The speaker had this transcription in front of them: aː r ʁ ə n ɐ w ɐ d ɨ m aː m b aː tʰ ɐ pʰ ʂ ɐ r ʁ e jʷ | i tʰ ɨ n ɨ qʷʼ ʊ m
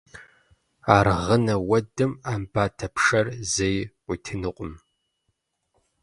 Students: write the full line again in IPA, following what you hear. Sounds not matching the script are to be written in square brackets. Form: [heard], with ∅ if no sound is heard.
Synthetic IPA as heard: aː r ʁ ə n ɐ w ɐ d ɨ m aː m b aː tʰ ɐ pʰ ʂ ɐ r [z] e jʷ | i tʰ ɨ n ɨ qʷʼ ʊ m

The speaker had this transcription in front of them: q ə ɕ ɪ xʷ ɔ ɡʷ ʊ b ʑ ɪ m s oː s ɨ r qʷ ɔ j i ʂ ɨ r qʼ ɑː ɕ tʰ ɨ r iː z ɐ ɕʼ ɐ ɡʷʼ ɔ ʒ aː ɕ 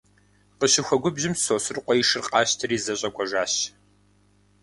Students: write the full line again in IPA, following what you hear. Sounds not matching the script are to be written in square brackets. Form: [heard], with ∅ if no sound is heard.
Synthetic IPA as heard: q ə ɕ ɪ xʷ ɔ ɡʷ ʊ b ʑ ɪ m s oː s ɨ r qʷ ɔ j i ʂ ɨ r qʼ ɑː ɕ tʰ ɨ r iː z ɐ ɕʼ ɐ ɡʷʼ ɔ ʒ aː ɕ

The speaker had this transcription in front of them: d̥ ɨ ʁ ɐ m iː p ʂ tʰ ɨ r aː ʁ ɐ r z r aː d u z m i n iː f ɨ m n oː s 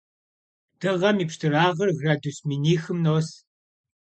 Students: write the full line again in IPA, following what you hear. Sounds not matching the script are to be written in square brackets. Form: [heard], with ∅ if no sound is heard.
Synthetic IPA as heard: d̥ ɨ ʁ ɐ m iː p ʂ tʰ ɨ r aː ʁ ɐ r [ɣ] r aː d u [s] m i n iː [x] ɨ m n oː s

